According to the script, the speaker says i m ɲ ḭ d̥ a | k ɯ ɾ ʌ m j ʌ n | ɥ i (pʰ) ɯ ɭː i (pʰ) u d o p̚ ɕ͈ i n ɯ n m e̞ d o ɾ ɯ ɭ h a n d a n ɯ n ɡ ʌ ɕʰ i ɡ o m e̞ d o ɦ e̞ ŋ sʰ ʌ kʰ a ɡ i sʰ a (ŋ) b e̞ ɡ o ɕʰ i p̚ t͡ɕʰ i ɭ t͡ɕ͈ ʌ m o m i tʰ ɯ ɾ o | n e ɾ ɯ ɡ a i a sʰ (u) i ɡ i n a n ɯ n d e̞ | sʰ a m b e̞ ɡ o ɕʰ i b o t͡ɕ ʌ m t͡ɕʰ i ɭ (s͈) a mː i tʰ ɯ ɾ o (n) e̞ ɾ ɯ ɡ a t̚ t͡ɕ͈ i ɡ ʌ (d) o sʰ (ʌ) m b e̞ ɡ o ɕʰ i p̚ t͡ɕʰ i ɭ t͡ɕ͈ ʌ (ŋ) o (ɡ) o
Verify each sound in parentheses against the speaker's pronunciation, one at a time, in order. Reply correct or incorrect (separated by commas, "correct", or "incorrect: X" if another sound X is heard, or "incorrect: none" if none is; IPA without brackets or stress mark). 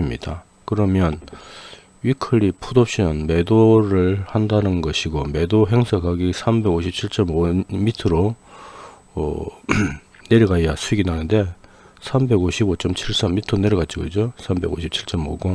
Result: incorrect: kʰ, correct, incorrect: m, correct, correct, correct, incorrect: d͡ʑ, incorrect: a, incorrect: m, correct